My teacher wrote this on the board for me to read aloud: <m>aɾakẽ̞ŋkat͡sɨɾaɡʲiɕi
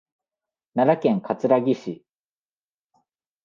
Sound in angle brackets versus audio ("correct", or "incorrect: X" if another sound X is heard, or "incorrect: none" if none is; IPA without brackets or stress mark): incorrect: n